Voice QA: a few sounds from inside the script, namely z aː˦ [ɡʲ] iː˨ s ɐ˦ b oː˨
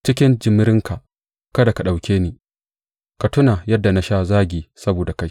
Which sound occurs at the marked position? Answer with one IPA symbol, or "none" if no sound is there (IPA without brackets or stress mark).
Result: ɡʲ